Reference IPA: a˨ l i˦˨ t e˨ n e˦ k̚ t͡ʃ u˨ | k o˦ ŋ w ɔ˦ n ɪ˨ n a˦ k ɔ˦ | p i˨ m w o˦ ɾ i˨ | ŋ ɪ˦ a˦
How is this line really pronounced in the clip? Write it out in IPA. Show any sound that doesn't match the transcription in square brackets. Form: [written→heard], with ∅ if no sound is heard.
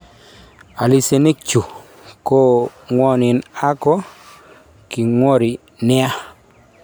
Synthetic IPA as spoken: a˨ l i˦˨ [t→s] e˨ n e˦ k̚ t͡ʃ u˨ | k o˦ ŋ w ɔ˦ n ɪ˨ n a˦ k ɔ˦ | [p→k] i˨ [m→ŋ] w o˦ ɾ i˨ | [ŋ→n] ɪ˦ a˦